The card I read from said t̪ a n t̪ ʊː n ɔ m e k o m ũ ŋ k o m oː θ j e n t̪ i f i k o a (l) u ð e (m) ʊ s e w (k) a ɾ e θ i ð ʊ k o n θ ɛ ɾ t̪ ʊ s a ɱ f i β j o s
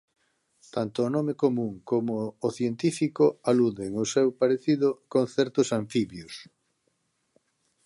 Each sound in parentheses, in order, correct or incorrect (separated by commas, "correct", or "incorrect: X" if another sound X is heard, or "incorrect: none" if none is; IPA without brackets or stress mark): correct, incorrect: ŋ, incorrect: p